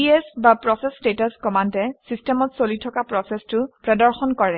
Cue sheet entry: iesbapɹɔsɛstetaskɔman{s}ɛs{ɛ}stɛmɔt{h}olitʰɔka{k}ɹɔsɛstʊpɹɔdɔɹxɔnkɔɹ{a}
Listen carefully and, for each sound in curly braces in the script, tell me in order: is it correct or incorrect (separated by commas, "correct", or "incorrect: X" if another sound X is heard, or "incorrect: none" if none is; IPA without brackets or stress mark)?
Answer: incorrect: t, incorrect: i, incorrect: s, incorrect: p, incorrect: ɛ